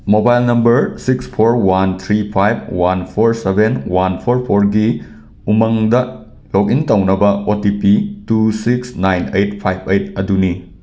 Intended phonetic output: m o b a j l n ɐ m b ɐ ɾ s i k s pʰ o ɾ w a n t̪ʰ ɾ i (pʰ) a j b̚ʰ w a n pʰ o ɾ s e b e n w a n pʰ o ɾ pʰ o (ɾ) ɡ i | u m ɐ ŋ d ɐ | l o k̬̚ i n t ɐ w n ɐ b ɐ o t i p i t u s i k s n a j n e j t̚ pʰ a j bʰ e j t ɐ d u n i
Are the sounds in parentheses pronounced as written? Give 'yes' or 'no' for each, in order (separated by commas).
yes, yes